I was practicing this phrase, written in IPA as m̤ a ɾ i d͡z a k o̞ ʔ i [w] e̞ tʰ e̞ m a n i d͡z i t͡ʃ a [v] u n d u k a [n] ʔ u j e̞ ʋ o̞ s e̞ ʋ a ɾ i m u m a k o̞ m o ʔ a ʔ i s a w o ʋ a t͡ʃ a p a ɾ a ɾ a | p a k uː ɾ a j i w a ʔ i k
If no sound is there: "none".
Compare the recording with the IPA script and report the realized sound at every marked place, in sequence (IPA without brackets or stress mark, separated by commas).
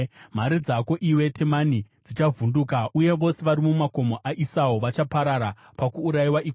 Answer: w, v, none